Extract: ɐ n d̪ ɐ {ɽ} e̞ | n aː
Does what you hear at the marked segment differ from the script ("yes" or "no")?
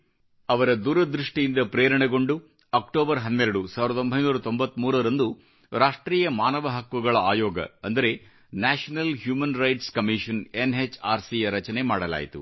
yes